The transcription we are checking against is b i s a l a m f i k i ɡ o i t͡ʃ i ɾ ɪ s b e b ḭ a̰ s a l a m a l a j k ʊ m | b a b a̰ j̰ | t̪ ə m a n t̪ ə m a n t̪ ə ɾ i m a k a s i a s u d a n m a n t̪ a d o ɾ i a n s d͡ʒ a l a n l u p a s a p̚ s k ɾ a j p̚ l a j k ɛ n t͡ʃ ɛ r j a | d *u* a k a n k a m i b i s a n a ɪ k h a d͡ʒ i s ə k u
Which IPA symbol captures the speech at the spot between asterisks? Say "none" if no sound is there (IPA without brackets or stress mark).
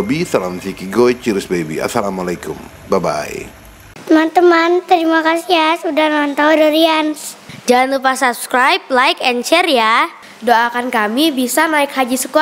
o